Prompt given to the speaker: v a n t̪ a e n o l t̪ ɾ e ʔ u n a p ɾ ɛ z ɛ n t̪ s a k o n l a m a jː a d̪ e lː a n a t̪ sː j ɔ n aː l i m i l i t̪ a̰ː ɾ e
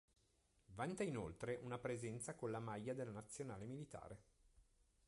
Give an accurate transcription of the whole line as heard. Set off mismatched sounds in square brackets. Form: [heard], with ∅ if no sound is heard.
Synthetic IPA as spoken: v a n t̪ a [i] n o l t̪ ɾ e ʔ u n a p ɾ [e] z ɛ n t̪ s a k o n l a m a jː a d̪ e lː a n a t̪ sː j [o] n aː l [e] m i l i t̪ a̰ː ɾ e